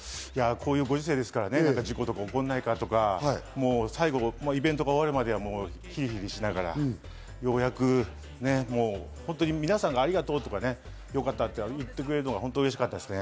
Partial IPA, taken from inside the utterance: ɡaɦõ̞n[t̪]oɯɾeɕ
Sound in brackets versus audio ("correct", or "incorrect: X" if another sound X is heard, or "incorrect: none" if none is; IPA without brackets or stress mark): correct